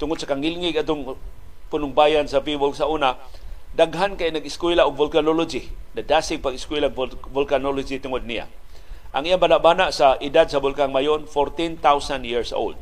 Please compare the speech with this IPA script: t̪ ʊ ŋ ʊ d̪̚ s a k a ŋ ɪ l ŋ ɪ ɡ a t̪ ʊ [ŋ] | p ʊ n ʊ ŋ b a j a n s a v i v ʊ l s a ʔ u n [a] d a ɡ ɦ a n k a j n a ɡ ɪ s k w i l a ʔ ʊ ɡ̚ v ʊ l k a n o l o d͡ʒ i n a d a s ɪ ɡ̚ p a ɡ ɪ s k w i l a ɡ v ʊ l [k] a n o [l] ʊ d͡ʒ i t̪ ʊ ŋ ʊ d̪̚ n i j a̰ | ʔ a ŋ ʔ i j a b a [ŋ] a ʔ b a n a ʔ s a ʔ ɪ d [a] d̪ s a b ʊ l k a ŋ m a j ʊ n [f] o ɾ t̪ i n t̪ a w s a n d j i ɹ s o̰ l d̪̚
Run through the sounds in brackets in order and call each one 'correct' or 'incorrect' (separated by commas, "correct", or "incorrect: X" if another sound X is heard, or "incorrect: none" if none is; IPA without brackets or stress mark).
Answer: correct, correct, correct, correct, incorrect: n, correct, correct